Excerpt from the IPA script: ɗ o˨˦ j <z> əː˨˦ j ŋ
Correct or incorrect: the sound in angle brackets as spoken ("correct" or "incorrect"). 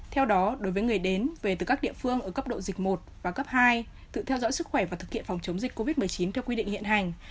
incorrect